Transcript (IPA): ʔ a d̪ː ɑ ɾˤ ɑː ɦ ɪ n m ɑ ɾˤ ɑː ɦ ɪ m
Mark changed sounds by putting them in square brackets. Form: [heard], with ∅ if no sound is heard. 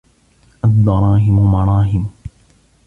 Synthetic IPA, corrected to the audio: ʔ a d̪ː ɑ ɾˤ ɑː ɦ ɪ [m] m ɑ ɾˤ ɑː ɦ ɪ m

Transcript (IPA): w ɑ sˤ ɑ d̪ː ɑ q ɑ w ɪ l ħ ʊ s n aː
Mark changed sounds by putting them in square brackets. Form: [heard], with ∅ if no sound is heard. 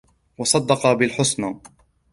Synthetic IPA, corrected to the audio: w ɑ sˤ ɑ d̪ː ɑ q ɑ [b] ɪ l ħ ʊ s n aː

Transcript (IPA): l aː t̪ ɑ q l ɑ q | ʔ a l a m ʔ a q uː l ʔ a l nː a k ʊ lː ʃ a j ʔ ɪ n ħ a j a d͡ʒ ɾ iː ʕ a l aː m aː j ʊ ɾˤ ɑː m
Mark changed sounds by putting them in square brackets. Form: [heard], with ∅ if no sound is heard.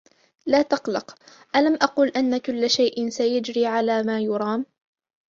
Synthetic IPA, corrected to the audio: l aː t̪ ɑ q l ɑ q | ʔ a l a m ʔ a q uː l ʔ a [∅] nː a k ʊ lː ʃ a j ʔ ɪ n [s] a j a d͡ʒ ɾ iː ʕ a l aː m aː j ʊ ɾˤ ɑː m

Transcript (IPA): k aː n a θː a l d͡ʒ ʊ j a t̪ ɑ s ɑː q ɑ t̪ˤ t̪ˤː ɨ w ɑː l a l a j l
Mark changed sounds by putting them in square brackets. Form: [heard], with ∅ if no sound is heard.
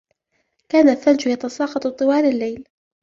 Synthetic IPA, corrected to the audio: k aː n a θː a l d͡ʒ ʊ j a t̪ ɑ s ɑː q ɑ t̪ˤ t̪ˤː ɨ w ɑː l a [lː] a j l

